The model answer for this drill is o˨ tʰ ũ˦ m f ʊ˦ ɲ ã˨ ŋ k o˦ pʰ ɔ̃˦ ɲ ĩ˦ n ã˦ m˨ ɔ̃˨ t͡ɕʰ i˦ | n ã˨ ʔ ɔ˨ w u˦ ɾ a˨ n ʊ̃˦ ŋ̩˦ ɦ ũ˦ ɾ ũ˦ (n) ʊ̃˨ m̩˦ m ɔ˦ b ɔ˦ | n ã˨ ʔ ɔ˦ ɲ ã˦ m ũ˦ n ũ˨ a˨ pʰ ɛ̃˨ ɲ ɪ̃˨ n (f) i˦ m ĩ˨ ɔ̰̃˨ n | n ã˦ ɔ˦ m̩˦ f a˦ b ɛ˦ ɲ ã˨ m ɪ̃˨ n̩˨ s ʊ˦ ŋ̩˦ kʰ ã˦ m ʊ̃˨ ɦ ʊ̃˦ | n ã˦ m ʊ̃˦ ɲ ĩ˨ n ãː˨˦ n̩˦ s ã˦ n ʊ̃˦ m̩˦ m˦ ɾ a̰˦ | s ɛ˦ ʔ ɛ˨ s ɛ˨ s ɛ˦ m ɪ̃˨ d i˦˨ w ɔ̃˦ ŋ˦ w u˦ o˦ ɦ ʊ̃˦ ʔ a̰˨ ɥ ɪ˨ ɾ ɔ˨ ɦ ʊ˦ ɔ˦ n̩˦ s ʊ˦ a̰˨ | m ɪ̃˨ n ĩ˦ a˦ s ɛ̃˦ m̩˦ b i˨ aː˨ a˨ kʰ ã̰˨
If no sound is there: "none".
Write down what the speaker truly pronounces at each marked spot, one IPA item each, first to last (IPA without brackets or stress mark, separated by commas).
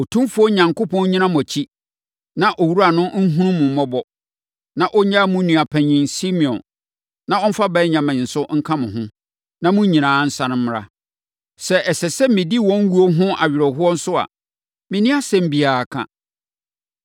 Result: m, s